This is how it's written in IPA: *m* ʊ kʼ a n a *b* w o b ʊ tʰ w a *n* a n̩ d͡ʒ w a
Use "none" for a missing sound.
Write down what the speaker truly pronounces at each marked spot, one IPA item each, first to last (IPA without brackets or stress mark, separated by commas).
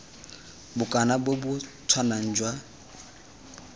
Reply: b, b, n